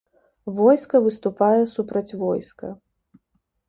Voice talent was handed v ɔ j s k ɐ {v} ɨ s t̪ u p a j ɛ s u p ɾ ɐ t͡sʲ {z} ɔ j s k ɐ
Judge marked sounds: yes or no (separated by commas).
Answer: yes, no